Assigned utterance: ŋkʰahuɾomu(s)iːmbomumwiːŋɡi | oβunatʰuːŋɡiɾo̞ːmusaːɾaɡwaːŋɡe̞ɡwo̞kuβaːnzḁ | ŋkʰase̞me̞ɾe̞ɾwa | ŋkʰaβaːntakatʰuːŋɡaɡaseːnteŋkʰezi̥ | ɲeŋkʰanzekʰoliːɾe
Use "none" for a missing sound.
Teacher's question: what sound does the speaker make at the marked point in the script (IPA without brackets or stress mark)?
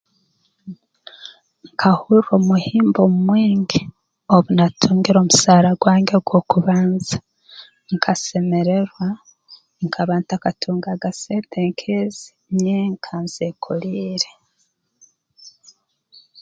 h